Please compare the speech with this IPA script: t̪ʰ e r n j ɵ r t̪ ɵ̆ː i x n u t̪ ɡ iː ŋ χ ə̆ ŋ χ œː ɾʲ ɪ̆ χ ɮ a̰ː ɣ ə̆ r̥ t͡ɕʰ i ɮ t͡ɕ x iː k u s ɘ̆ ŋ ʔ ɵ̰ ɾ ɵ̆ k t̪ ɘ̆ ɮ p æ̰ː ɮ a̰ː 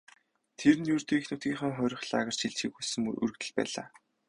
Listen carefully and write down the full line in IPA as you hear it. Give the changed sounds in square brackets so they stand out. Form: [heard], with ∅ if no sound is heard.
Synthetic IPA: t̪ʰ e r n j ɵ r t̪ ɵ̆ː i x n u t̪ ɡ iː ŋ χ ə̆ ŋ χ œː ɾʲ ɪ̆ χ ɮ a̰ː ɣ ə̆ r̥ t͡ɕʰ i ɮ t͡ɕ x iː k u s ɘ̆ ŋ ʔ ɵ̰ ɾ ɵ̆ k t̪ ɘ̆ ɮ p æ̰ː ɮ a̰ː